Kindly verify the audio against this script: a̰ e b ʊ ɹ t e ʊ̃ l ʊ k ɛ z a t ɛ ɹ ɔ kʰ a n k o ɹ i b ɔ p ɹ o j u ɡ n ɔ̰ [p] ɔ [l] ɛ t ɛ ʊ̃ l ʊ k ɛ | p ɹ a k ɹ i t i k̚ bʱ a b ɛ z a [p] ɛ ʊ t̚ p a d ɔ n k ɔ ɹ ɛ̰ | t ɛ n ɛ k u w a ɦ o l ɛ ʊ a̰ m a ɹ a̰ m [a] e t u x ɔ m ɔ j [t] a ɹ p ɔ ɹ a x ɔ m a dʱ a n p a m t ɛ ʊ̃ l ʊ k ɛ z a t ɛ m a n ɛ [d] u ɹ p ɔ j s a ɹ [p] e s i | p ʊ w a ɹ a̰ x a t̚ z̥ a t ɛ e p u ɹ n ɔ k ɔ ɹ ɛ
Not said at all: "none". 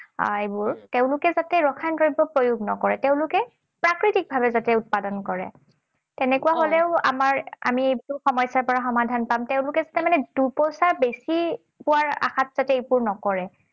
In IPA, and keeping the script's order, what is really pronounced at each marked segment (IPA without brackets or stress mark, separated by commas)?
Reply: k, ɹ, t, i, s, d, b